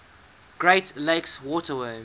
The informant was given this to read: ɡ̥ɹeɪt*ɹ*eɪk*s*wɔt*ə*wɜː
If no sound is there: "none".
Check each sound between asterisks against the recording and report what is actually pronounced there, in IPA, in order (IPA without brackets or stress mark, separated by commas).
l, s, ə